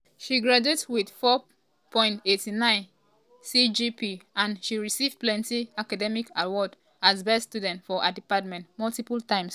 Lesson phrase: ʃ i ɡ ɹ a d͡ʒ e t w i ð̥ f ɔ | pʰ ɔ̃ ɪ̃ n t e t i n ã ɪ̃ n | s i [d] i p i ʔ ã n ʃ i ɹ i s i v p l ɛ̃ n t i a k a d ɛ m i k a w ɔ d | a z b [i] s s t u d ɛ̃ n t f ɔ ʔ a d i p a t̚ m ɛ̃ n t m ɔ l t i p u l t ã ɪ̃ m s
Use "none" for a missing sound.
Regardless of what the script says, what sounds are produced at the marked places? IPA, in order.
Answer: d͡ʒ, ɛ

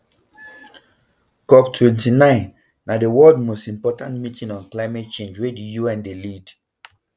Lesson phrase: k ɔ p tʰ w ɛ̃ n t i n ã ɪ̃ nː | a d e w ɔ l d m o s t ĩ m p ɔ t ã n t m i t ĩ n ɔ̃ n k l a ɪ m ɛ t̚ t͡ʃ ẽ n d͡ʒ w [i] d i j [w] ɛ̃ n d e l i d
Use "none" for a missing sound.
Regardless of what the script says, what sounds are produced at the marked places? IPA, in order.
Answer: e, u

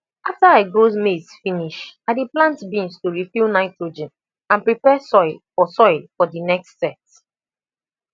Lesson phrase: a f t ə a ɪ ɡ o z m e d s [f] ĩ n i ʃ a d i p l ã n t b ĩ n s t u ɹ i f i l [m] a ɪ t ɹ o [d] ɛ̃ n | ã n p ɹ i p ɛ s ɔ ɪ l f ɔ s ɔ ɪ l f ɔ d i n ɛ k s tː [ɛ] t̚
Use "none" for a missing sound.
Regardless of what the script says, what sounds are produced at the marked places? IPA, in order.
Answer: f, n, d͡ʒ, ɛ

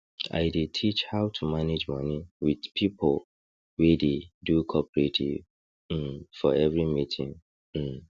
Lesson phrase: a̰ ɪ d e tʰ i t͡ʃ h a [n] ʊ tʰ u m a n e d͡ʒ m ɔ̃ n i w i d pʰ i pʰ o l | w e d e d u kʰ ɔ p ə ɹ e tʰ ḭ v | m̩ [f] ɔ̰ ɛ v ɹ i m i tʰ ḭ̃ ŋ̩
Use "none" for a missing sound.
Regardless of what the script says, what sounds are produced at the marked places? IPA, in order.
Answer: none, f

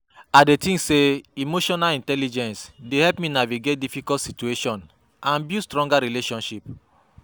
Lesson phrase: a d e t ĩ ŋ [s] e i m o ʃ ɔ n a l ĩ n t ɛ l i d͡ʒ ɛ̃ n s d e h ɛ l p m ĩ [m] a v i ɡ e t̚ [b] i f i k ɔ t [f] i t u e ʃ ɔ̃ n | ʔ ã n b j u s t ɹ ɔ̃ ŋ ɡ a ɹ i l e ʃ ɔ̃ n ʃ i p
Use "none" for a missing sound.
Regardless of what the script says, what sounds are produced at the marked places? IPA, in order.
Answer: s, n, d, s

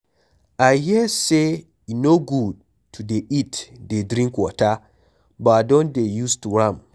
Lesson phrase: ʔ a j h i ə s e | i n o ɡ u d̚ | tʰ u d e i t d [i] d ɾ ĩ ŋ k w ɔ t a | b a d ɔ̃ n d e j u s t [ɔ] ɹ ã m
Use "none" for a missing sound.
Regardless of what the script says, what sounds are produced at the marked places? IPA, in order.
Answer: e, u

